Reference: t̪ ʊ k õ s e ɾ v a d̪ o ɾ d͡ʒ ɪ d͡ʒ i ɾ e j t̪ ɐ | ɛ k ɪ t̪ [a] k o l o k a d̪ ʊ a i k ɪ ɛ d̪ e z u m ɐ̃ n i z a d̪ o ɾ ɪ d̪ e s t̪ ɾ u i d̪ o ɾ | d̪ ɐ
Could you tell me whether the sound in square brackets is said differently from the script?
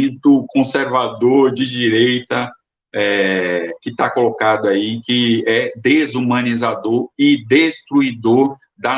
no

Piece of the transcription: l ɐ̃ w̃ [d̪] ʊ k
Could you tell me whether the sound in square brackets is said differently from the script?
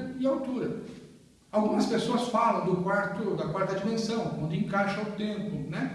no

